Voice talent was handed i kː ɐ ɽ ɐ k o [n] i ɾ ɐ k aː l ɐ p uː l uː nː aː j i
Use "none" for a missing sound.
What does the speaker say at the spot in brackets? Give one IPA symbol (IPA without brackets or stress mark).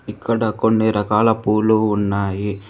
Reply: nː